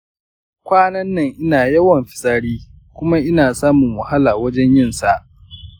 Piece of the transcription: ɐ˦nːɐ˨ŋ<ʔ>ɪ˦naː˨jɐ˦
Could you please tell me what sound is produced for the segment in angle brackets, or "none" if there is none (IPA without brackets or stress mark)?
ʔ